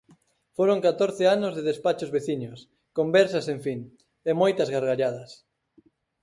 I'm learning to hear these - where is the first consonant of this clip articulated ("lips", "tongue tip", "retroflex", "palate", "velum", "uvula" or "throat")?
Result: lips